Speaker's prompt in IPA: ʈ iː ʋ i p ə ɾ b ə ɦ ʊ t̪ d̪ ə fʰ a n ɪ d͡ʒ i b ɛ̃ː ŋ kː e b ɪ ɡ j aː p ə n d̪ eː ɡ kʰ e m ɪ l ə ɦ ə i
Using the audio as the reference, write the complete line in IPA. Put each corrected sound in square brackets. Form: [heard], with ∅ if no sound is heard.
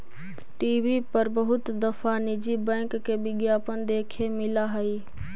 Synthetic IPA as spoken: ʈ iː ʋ i p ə ɾ b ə ɦ ʊ t̪ d̪ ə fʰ a n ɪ d͡ʒ i b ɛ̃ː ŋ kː e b ɪ ɡ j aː p ə n d̪ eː [∅] kʰ e m ɪ l [a] ɦ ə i